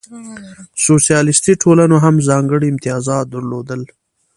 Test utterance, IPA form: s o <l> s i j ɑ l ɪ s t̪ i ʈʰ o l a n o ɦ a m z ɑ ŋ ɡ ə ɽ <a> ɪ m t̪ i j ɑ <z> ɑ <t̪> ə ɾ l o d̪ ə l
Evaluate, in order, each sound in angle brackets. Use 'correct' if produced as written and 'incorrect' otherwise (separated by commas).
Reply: incorrect, incorrect, correct, incorrect